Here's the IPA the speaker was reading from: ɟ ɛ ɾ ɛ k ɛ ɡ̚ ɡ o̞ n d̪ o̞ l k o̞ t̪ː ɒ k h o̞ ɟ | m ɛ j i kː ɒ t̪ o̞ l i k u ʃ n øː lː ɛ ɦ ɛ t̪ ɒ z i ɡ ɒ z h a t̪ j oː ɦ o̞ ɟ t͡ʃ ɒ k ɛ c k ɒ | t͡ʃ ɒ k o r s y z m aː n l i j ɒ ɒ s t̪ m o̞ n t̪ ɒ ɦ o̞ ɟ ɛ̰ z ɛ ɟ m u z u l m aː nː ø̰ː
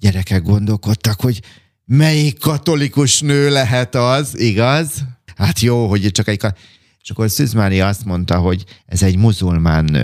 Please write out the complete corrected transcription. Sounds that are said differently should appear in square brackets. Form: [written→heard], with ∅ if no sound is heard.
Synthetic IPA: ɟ ɛ ɾ ɛ k ɛ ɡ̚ ɡ o̞ n d̪ o̞ l k o̞ t̪ː ɒ k h o̞ ɟ | m ɛ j i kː ɒ t̪ o̞ l i k u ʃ n øː [lː→l] ɛ ɦ ɛ t̪ ɒ z i ɡ ɒ z h a t̪ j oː ɦ o̞ ɟ t͡ʃ ɒ k ɛ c k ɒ | t͡ʃ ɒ k o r s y z m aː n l i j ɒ ɒ s t̪ m o̞ n t̪ ɒ ɦ o̞ ɟ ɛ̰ z ɛ ɟ m u z u l m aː nː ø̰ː